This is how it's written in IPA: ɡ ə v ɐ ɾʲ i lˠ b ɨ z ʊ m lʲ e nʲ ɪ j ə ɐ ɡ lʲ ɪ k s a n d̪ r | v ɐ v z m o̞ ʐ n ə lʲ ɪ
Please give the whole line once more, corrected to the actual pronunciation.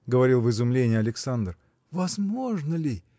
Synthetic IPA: ɡ ə v ɐ ɾʲ i lˠ v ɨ z ʊ m lʲ e nʲ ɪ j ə ɐ lʲ ɪ k s a n d̪ r | v ɐ z m o̞ ʐ n ə lʲ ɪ